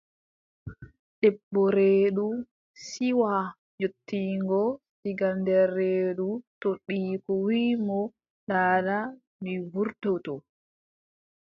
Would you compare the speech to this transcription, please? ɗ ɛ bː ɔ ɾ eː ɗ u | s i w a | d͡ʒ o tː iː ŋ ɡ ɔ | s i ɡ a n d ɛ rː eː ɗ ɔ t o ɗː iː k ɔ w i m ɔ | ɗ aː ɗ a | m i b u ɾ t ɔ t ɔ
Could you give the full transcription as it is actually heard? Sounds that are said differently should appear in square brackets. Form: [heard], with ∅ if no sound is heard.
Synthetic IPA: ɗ ɛ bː ɔ ɾ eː ɗ u | s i w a | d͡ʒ o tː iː ŋ ɡ ɔ | s i ɡ a n d ɛ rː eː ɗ [u] t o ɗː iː k ɔ w i m ɔ | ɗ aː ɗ a | m i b u ɾ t ɔ t ɔ